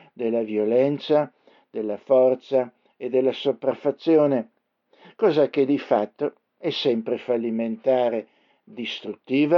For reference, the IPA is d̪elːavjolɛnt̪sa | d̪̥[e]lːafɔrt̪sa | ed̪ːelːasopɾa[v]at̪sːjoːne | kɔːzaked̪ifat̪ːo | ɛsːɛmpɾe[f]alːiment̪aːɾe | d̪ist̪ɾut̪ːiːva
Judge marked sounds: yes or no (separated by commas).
yes, no, yes